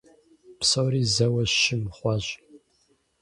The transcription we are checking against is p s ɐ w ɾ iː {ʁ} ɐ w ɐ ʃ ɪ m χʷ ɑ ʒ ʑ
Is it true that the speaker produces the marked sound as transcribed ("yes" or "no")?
no